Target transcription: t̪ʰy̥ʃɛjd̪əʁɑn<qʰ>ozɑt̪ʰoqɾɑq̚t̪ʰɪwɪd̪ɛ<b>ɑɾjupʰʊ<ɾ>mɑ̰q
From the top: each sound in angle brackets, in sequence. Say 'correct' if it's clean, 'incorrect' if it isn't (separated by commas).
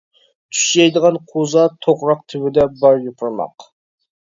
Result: correct, correct, correct